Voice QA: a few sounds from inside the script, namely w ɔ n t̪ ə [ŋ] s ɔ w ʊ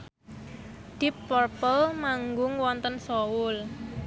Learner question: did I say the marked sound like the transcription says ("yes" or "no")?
no